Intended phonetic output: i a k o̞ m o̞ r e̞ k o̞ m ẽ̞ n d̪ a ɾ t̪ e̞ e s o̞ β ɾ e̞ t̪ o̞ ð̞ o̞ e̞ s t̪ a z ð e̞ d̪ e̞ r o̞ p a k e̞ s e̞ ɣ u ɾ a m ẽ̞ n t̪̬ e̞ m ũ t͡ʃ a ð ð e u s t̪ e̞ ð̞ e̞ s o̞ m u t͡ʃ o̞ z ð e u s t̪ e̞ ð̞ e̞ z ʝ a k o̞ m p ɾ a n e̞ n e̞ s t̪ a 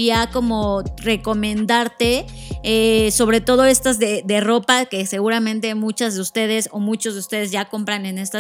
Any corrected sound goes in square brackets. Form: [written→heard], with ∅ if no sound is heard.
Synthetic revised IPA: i a k o̞ m o̞ r e̞ k o̞ m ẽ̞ n d̪ a ɾ t̪ e̞ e s o̞ β ɾ e̞ t̪ o̞ ð̞ o̞ e̞ s t̪ a z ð e̞ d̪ e̞ r o̞ p a k e̞ s e̞ ɣ u ɾ a m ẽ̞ n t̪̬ e̞ m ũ t͡ʃ a [ð→z] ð e u s t̪ e̞ ð̞ e̞ s o̞ m u t͡ʃ o̞ z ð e u s t̪ e̞ ð̞ e̞ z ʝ a k o̞ m p ɾ a n e̞ n e̞ s t̪ a